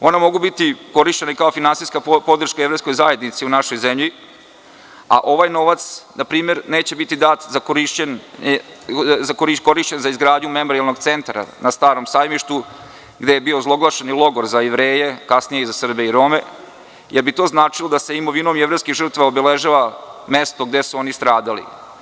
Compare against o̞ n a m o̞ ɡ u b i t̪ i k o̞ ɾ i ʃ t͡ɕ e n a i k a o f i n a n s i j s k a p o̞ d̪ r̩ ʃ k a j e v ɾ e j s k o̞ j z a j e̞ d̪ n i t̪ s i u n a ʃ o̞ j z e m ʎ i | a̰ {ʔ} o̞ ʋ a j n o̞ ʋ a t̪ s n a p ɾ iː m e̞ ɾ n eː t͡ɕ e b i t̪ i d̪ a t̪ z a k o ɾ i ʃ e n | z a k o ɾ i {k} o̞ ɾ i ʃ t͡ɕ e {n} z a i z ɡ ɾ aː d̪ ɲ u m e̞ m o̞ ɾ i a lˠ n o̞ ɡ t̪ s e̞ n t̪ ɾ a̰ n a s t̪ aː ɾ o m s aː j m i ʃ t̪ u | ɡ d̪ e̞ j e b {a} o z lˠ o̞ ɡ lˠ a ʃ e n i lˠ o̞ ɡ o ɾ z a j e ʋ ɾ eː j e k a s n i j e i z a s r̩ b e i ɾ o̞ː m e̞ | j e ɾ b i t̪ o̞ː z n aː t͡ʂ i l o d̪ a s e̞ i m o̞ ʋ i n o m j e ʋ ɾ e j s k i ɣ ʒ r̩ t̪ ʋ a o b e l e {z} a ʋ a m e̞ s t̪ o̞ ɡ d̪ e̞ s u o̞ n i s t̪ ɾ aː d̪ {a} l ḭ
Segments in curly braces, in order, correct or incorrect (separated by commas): correct, correct, correct, incorrect, incorrect, correct